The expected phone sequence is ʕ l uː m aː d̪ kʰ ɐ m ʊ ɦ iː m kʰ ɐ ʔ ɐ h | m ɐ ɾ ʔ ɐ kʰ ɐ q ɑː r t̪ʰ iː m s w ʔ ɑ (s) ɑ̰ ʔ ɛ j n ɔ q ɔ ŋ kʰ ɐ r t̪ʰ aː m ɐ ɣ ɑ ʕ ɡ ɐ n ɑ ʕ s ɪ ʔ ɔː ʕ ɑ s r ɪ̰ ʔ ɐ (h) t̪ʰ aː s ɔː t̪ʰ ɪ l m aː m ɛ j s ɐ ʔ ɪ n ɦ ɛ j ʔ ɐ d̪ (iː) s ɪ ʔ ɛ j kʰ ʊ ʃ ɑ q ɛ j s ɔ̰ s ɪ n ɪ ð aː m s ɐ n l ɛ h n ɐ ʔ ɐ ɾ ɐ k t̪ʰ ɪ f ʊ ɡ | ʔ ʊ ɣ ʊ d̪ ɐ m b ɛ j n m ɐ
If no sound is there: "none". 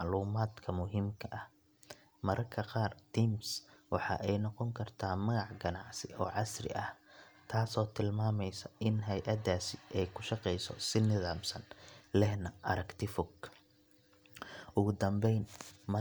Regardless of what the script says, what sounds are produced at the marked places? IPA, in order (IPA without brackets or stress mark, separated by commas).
ħ, h, aː